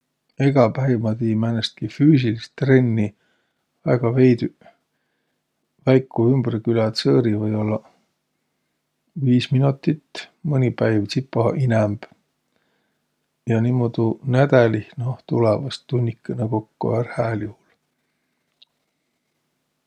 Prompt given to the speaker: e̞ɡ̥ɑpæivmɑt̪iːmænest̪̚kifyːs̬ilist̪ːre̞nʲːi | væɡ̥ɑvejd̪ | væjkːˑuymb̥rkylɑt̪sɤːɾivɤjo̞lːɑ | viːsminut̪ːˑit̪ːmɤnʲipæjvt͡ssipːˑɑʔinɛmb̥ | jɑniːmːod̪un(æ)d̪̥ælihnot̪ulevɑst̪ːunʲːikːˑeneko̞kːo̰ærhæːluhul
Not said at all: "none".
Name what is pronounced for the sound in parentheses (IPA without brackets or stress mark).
æ